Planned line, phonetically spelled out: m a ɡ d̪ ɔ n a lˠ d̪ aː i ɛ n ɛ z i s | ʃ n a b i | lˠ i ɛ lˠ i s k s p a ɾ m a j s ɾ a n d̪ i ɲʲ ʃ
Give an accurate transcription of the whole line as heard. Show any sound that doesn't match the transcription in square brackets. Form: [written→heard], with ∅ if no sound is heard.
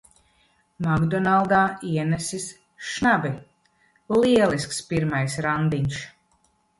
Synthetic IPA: m a ɡ d̪ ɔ n a lˠ d̪ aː i ɛ n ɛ [z→s] i s | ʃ n a b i | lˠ i ɛ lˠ i s k s p [a→i] ɾ m a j s ɾ a n d̪ i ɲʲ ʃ